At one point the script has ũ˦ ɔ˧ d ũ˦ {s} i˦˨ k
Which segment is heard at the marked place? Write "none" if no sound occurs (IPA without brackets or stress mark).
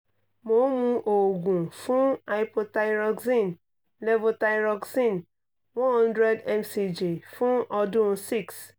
s